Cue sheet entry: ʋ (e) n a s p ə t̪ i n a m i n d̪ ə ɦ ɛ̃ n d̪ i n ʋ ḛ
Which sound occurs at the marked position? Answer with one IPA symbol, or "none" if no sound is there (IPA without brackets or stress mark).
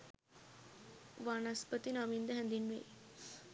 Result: a